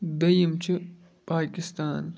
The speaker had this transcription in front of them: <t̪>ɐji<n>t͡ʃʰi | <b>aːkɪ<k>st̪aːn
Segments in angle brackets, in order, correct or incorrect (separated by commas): incorrect, incorrect, incorrect, incorrect